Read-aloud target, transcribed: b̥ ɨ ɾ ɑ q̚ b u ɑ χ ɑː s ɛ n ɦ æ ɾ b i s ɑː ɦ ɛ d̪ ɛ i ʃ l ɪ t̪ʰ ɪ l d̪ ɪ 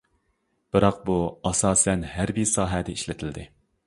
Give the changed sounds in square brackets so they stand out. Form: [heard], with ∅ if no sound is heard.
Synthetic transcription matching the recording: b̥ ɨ ɾ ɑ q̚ b u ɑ [s] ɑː s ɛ n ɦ æ ɾ b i s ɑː ɦ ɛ d̪ ɛ i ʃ l ɪ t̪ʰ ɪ l d̪ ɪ